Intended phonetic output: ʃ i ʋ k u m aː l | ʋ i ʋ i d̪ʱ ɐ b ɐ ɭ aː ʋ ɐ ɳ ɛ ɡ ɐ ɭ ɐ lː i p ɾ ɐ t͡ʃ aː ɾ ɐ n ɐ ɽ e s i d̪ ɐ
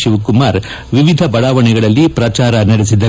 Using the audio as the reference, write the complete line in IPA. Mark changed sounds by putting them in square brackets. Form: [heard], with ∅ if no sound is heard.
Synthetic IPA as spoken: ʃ i ʋ k u m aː [ɾ] | ʋ i ʋ i d̪ʱ ɐ b ɐ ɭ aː ʋ ɐ ɳ ɛ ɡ ɐ ɭ ɐ lː i p ɾ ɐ t͡ʃ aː ɾ ɐ n ɐ ɽ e s i d̪ ɐ